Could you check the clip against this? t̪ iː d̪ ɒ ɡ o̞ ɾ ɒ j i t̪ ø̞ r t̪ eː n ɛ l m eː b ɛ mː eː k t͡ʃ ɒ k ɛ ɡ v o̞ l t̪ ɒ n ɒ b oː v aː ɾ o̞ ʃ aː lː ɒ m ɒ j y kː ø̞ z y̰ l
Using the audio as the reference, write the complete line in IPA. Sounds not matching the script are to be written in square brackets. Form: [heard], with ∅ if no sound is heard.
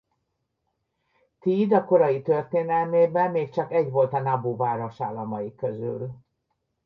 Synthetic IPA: t̪ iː d̪ ɒ [k] o̞ ɾ ɒ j i t̪ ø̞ r t̪ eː n ɛ l m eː b ɛ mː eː k t͡ʃ ɒ k ɛ [ɟ] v o̞ l t̪ ɒ n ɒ b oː v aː ɾ o̞ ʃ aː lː ɒ m ɒ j [i] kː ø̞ z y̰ l